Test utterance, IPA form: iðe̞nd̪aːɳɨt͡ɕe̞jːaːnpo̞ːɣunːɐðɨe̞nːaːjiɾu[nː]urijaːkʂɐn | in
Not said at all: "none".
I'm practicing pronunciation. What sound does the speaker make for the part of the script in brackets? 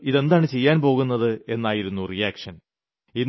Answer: nː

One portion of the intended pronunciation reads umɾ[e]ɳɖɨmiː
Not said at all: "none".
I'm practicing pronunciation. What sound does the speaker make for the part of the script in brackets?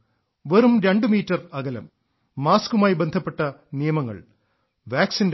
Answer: e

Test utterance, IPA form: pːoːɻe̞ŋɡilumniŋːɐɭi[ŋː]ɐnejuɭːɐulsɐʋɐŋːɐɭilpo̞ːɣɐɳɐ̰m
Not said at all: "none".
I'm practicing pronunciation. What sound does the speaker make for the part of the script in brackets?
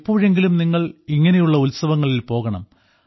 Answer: ŋː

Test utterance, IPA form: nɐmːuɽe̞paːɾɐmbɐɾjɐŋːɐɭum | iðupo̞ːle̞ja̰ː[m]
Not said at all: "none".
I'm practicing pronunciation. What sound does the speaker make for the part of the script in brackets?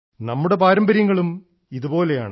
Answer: ɳ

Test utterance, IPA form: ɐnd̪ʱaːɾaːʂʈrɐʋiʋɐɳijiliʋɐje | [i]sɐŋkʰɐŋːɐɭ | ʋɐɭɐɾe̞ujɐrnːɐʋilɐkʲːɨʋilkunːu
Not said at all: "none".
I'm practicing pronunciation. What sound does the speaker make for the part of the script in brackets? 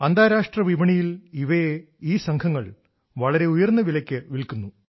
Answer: iː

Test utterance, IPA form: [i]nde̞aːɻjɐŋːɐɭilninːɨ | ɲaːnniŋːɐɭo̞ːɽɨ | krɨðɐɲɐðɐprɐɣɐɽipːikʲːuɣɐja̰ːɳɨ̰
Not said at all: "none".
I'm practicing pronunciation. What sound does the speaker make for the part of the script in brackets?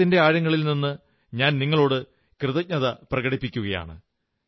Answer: i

